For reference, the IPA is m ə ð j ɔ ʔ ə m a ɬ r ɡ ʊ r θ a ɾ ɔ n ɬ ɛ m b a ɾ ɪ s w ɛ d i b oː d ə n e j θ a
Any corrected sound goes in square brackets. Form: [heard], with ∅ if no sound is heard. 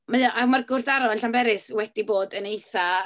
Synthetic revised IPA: m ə ð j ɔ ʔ [a] m a [∅] r ɡ ʊ r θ a ɾ ɔ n ɬ [a] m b [ɛ] ɾ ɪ s w ɛ d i b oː d ə n e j θ a